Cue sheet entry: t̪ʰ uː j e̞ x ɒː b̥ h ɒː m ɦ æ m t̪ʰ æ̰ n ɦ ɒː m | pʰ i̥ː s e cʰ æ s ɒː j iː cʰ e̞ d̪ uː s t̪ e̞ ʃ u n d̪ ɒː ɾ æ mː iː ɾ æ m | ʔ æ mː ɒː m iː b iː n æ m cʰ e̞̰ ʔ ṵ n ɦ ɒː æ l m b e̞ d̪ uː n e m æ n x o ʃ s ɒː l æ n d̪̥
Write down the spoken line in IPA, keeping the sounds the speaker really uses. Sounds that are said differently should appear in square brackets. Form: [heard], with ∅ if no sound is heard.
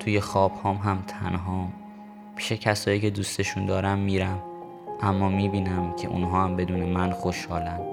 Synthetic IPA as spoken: t̪ʰ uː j e̞ x ɒː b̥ h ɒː m ɦ æ m t̪ʰ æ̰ n ɦ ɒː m | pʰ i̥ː [ʃ] e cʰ æ s ɒː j iː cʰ e̞ d̪ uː s t̪ e̞ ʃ u n d̪ ɒː ɾ æ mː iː ɾ æ m | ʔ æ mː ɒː m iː b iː n æ m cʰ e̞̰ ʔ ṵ n ɦ ɒː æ [∅] m b e̞ d̪ uː n e m æ n x o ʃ [h] ɒː l æ n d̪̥